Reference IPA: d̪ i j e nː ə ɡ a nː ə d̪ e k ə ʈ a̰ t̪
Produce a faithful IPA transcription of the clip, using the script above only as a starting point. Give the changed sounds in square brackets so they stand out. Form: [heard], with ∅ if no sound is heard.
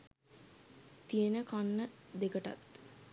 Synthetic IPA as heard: [t̪] i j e [n] ə [k] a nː ə d̪ e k ə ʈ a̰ t̪